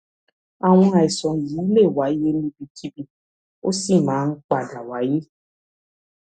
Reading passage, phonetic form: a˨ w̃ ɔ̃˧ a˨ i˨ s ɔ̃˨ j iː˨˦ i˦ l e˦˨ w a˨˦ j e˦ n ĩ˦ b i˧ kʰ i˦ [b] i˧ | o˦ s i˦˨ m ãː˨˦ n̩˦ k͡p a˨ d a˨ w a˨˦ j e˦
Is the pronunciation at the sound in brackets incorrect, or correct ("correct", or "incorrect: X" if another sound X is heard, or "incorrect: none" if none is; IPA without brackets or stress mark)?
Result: correct